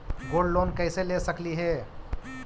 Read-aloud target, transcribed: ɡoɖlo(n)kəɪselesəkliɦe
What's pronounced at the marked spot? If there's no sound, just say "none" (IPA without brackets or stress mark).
n